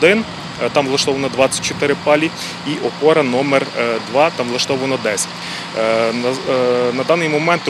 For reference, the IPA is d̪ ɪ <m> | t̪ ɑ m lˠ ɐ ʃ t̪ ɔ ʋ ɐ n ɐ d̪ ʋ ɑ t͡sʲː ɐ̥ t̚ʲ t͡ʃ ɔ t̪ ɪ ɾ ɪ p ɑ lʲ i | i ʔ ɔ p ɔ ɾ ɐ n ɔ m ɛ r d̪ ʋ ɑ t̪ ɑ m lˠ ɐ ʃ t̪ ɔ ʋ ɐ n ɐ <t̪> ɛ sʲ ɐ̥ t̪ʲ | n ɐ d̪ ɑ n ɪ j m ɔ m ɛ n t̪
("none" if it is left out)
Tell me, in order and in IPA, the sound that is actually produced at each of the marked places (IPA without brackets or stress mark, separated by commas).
n, d̪